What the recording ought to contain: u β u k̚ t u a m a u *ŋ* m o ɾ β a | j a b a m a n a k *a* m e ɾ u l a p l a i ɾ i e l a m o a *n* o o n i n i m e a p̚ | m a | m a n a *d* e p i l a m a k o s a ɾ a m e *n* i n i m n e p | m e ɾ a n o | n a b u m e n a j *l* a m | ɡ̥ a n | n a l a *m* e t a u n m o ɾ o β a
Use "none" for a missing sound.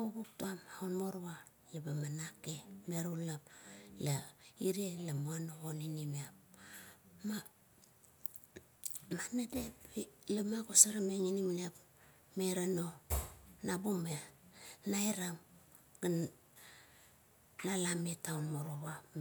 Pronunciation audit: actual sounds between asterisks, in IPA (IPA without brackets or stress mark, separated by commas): n, e, n, d, ŋ, ɾ, m